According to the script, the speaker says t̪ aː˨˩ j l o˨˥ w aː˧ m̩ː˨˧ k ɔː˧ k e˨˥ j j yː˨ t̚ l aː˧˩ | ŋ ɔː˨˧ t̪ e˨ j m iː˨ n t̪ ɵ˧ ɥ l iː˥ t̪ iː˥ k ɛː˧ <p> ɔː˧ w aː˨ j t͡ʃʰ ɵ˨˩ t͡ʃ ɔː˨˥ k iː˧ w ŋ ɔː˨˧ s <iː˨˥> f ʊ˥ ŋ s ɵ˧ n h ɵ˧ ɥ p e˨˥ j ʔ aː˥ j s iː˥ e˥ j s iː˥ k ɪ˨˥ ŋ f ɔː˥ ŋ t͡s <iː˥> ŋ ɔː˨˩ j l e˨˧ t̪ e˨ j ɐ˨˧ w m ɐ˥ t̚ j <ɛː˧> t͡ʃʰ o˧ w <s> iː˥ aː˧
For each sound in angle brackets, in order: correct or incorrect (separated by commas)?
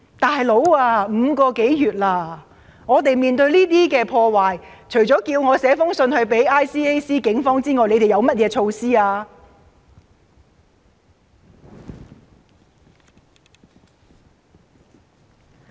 incorrect, incorrect, correct, correct, correct